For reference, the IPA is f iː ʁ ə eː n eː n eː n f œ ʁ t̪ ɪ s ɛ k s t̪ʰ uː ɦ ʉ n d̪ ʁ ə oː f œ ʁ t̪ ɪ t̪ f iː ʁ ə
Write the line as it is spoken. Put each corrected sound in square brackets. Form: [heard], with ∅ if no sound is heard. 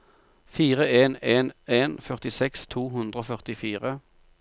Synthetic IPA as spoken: f iː ʁ ə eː n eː n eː n f œ ʁ t̪ ɪ s ɛ k s t̪ʰ uː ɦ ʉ n d̪ ʁ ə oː f œ ʁ t̪ ɪ [∅] f iː ʁ ə